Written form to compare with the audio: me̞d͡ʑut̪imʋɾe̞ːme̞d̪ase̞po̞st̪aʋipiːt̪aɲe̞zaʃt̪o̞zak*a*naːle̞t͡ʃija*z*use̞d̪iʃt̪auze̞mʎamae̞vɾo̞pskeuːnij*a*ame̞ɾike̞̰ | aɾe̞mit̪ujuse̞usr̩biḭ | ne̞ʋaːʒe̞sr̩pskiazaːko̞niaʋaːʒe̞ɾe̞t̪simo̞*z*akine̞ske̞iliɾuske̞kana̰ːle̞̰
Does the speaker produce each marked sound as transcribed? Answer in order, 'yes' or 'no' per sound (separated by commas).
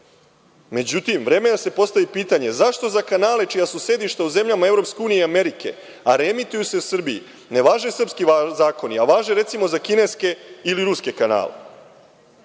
yes, no, no, yes